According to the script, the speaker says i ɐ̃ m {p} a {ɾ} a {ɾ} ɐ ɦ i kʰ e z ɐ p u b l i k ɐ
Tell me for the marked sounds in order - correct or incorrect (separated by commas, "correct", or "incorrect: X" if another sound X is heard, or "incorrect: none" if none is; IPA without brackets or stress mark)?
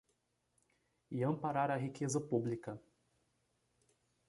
correct, correct, correct